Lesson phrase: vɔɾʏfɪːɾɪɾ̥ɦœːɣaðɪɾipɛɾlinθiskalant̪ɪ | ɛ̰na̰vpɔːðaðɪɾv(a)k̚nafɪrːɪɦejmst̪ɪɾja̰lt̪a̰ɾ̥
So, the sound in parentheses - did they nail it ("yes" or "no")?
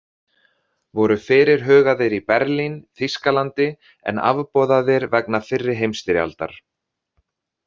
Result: no